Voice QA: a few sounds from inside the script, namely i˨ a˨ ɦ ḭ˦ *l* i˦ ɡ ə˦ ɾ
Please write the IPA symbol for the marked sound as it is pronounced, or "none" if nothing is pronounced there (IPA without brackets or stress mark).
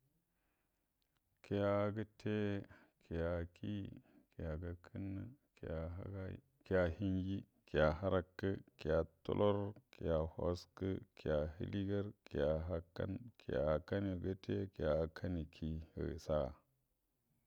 l